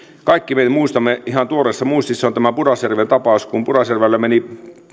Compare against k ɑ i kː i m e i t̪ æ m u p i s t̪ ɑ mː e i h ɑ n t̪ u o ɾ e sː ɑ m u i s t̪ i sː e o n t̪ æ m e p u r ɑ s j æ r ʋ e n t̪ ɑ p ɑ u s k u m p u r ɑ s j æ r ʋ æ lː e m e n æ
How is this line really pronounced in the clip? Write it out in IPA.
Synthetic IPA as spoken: k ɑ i kː i m e i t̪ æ m u i s t̪ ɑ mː e i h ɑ n t̪ u o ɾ e sː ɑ m u i s t̪ i sː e o n t̪ æ m æ p u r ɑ s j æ r ʋ e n t̪ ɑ p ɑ u s k u m p u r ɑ s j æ r ʋ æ lː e m e n i